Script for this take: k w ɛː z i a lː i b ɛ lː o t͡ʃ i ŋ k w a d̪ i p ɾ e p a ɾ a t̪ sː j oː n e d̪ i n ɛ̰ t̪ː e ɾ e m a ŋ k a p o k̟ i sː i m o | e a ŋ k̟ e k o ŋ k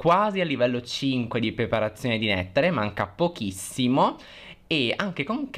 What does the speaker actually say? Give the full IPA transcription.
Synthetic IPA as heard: k w aː z i a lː i v ɛ lː o t͡ʃ i ŋ k w e d̪ i p ɾ e p a ɾ a t̪ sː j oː n e d̪ i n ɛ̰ t̪ː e ɾ e m a ŋ k a p o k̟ i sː i m o | e a ŋ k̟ e k o ŋ k